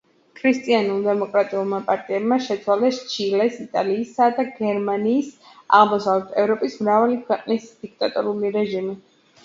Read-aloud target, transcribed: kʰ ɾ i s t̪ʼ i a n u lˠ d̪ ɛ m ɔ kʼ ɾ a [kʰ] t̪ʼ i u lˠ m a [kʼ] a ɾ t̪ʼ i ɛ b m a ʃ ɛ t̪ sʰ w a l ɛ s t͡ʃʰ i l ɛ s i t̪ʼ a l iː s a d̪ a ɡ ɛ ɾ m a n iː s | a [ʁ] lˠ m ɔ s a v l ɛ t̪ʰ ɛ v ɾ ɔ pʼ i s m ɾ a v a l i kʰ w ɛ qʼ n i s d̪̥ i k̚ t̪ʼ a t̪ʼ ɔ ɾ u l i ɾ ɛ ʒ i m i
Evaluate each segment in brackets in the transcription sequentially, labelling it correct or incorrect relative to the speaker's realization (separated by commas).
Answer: incorrect, incorrect, correct